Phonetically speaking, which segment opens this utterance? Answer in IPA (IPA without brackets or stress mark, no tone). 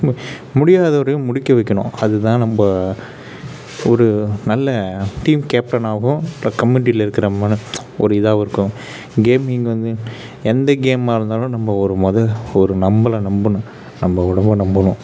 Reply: m